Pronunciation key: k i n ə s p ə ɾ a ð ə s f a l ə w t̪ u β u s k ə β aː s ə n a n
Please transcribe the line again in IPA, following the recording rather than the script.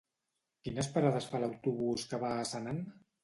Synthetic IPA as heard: k i n ə s p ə ɾ a ð ə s f a l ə w t̪ u β u s k ə β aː s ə n a n